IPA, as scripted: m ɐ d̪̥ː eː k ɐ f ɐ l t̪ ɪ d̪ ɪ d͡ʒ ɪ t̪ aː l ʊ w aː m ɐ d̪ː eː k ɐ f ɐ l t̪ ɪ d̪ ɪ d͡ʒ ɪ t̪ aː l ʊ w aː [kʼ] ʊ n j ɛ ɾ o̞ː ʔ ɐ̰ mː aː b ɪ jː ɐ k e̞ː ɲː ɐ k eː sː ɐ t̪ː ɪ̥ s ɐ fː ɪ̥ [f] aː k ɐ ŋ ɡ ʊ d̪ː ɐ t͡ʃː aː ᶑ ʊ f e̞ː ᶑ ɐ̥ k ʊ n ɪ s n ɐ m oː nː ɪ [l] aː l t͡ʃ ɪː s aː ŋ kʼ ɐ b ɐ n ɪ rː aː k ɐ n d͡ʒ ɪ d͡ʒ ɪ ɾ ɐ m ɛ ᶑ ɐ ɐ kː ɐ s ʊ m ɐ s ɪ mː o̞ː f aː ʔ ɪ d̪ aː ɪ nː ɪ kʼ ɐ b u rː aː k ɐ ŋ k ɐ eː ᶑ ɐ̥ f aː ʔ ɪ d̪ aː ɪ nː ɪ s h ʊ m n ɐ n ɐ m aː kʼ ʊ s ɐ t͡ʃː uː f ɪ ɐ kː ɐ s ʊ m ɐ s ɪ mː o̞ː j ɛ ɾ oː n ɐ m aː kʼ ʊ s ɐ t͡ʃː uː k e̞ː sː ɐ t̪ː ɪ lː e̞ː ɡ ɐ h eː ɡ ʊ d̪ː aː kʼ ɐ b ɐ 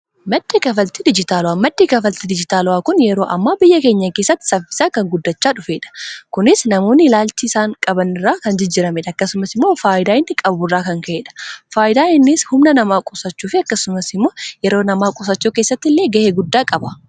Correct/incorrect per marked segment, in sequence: incorrect: k, incorrect: s, correct

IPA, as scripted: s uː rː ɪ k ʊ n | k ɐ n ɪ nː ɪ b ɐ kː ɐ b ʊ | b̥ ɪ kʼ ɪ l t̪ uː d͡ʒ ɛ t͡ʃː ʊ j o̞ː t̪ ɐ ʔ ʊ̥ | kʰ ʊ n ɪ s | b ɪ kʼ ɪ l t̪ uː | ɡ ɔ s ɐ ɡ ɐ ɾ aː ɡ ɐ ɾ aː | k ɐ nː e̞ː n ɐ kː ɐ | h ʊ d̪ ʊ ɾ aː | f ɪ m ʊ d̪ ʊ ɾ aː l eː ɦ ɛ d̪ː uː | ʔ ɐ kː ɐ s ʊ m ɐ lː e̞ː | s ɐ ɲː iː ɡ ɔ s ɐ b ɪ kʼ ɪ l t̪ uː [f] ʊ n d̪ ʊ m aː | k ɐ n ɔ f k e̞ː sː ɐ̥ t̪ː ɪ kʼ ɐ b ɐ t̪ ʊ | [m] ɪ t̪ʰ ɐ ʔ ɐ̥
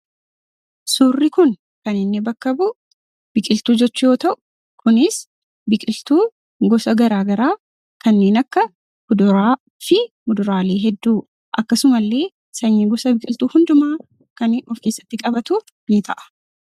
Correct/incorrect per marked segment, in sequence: incorrect: h, incorrect: n

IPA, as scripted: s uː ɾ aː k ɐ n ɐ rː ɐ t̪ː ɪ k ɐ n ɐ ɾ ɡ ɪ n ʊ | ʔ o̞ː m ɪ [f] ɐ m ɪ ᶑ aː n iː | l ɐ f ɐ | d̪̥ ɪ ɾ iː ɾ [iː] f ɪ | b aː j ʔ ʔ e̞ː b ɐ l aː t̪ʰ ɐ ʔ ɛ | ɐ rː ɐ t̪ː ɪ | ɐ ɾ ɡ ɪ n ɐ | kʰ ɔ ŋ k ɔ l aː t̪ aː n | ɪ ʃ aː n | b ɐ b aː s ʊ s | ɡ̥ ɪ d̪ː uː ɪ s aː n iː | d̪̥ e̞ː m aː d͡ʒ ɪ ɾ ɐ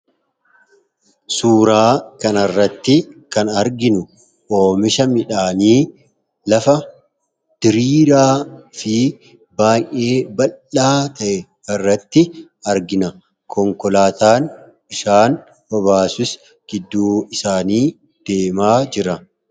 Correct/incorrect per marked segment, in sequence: incorrect: ʃ, incorrect: aː

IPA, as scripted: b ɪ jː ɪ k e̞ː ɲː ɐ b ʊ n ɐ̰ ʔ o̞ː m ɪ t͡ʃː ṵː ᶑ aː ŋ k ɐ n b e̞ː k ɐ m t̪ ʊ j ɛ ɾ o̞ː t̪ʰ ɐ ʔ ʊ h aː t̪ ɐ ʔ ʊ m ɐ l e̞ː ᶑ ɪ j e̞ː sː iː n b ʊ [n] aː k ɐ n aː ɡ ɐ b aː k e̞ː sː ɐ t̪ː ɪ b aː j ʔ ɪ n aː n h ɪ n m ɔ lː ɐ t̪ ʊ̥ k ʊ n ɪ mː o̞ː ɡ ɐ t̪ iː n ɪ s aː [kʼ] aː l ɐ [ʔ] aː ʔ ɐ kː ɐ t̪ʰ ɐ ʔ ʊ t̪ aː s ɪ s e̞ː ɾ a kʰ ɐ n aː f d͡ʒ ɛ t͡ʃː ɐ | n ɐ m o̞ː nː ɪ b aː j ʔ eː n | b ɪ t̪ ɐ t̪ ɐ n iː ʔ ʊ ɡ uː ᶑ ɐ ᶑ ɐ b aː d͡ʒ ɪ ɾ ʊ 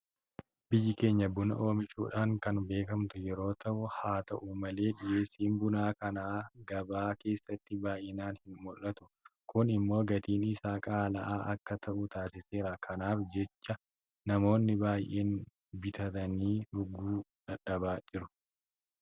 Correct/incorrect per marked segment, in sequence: correct, correct, correct

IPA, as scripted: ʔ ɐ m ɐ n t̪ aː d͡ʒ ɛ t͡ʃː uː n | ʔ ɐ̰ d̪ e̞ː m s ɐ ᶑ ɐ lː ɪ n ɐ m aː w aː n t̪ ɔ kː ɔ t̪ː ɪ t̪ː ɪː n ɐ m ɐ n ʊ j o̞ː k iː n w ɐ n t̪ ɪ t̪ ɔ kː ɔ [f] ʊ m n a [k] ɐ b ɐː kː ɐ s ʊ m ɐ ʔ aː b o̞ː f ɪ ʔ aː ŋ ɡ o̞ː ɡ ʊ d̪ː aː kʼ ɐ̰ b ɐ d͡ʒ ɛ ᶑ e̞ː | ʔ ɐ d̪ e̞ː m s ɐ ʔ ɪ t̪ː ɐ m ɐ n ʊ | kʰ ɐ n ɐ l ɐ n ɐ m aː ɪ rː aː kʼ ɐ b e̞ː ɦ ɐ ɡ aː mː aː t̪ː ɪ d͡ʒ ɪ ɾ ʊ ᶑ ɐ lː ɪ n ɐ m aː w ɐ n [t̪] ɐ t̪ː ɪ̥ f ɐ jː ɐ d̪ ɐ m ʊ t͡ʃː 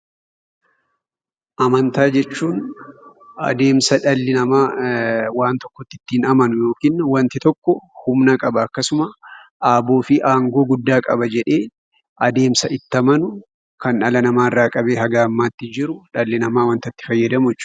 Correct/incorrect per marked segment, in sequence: incorrect: h, incorrect: kʼ, correct

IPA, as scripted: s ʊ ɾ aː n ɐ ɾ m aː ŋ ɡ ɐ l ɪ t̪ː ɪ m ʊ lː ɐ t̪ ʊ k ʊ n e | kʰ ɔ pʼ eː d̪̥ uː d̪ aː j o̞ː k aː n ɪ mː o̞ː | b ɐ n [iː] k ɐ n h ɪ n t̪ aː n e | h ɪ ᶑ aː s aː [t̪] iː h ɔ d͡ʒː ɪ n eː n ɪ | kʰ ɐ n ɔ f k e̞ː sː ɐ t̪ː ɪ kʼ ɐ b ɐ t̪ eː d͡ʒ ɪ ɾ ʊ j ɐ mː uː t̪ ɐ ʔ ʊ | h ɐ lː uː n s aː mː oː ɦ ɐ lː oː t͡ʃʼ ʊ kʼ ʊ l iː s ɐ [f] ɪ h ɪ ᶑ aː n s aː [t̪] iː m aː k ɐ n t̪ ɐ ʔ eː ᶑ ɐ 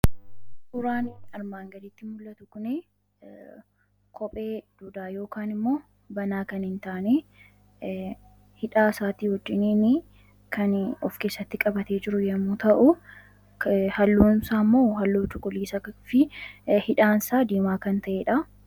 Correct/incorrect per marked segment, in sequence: incorrect: aː, correct, correct, incorrect: d̪

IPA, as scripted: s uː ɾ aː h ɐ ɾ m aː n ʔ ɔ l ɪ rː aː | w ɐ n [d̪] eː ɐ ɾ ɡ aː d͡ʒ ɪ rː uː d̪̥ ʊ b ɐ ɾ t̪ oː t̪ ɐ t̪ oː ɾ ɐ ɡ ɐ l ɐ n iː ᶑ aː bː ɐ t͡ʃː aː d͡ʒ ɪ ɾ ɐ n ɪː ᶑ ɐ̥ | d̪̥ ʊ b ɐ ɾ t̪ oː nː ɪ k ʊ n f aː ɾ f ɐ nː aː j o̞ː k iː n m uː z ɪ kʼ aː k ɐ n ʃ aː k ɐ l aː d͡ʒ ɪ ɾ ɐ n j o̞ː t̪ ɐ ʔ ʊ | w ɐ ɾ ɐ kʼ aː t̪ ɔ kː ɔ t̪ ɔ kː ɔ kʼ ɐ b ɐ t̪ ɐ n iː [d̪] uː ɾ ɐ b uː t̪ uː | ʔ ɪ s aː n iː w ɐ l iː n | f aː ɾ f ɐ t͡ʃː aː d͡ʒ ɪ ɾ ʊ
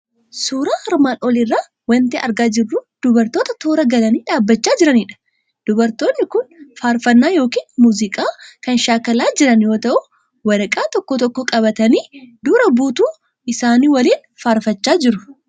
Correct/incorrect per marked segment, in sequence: incorrect: t̪, correct

